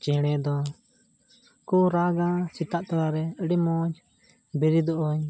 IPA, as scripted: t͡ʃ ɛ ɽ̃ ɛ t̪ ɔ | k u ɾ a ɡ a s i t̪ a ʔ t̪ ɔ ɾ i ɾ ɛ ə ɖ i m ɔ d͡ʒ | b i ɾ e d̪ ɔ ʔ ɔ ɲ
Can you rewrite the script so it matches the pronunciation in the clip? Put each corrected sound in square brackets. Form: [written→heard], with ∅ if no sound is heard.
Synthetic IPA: t͡ʃ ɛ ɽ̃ ɛ [t̪→d̪] ɔ | k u ɾ a ɡ a s i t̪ a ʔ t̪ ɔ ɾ [i→a] ɾ ɛ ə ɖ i m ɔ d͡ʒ | b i ɾ [e→i] d̪ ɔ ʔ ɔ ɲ